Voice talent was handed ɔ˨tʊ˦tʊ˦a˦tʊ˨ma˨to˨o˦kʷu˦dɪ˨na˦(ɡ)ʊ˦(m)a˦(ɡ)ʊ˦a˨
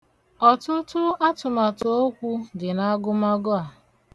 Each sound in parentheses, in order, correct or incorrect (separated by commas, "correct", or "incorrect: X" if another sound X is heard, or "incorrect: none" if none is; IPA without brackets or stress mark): correct, correct, correct